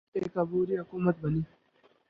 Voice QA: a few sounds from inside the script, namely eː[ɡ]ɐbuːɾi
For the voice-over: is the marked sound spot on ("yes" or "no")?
no